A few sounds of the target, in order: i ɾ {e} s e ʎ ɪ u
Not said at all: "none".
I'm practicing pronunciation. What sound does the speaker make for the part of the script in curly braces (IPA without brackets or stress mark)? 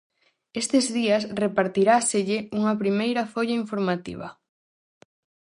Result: a